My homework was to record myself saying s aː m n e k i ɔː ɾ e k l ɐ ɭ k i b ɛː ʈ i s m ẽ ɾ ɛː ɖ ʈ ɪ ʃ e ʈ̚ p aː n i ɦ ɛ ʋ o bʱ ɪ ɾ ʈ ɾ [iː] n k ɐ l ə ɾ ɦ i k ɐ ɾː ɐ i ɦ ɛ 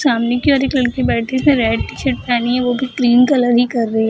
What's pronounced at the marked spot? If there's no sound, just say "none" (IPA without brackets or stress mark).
iː